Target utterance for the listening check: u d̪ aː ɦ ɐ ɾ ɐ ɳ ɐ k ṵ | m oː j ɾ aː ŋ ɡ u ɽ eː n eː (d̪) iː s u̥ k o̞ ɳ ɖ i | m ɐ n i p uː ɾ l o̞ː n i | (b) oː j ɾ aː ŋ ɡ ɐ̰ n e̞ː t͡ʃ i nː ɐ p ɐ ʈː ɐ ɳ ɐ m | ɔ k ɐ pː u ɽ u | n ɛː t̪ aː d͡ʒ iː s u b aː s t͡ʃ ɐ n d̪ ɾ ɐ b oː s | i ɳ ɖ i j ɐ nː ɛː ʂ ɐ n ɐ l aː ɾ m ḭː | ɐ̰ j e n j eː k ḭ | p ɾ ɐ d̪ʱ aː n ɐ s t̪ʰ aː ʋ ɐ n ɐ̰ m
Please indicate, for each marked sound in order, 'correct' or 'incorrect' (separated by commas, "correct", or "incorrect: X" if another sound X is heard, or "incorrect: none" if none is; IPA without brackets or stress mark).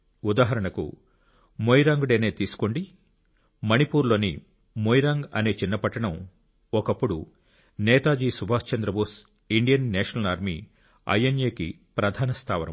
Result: incorrect: t̪, incorrect: m